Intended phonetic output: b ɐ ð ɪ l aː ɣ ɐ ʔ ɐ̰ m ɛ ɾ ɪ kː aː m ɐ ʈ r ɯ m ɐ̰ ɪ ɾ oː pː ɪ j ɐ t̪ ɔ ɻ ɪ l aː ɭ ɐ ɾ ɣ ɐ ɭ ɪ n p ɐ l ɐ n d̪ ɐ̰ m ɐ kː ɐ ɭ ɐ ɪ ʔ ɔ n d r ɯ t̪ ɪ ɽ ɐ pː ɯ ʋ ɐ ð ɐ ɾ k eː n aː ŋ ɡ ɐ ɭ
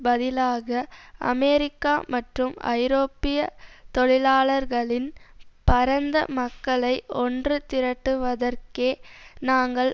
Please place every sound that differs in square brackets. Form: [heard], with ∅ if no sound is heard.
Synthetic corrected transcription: b ɐ ð ɪ l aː ɣ ɐ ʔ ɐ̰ m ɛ ɾ ɪ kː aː m ɐ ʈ r ɯ m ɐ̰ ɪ ɾ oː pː ɪ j ɐ t̪ ɔ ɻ ɪ l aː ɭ ɐ ɾ ɣ ɐ ɭ ɪ n p ɐ [ɾ] ɐ n d̪ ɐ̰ m ɐ kː ɐ ɭ ɐ ɪ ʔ ɔ n d r ɯ t̪ ɪ [ɾ] ɐ [ʈː] ɯ ʋ ɐ ð ɐ ɾ k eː n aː ŋ ɡ ɐ ɭ